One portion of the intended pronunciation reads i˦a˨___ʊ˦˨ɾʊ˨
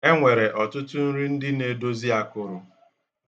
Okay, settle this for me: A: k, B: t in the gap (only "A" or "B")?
A